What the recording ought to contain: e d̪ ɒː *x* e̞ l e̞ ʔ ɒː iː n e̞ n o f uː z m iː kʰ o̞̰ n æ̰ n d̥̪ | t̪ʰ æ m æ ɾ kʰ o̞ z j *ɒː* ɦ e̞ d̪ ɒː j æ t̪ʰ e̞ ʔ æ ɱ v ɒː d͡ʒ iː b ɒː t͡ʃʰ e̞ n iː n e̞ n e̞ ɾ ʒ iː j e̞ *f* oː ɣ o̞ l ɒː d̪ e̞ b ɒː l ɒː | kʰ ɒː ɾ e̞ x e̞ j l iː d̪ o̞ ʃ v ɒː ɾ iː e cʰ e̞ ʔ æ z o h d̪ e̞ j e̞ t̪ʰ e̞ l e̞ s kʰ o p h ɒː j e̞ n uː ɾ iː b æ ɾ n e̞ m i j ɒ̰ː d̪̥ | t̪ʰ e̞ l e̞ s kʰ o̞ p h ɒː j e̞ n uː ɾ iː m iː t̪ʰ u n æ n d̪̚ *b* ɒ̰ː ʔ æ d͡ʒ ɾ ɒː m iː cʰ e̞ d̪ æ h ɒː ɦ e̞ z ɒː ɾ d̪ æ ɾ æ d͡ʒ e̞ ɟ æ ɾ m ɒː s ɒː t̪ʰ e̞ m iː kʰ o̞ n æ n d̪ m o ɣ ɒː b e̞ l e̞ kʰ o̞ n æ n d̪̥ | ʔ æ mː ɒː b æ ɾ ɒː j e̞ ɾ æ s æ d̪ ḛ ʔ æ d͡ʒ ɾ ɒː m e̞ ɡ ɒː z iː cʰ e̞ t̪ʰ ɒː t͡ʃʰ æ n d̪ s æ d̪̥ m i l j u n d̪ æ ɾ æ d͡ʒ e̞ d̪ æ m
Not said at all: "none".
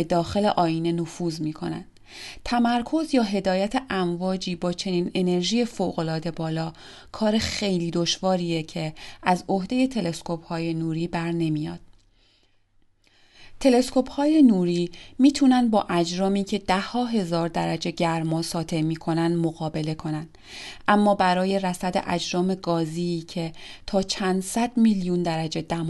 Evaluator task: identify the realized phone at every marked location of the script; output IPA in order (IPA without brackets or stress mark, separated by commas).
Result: x, ɒː, f, b